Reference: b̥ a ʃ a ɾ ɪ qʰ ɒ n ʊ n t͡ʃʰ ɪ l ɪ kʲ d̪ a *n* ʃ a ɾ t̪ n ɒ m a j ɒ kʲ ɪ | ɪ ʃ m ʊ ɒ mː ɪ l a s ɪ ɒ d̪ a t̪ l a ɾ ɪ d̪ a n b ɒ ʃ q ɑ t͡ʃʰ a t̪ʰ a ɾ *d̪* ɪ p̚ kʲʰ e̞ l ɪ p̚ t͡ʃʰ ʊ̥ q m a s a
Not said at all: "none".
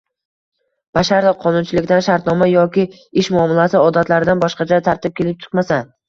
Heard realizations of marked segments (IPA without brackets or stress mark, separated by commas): n, t̪